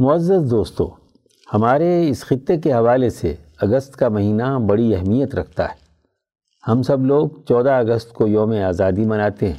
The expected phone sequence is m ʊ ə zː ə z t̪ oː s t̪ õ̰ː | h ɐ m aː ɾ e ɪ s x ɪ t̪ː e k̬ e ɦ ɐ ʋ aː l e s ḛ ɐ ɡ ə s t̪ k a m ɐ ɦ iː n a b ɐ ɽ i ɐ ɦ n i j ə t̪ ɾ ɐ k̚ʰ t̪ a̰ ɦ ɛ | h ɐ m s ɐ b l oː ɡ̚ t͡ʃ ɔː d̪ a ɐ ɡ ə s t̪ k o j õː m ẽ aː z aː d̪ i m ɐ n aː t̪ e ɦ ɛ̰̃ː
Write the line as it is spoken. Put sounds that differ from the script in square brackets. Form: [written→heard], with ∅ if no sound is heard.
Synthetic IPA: m ʊ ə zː ə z [t̪→d̪] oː s t̪ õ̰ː | h ɐ m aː ɾ e ɪ s x ɪ t̪ː e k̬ e ɦ ɐ ʋ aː l e s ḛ ɐ ɡ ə s t̪ k a m ɐ ɦ iː n a b ɐ ɽ i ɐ ɦ [n→m] i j ə t̪ ɾ ɐ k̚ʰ t̪ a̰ ɦ ɛ | h ɐ m s ɐ b l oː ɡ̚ t͡ʃ ɔː d̪ a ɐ ɡ ə s t̪ k o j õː m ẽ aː z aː d̪ i m ɐ n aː t̪ e ɦ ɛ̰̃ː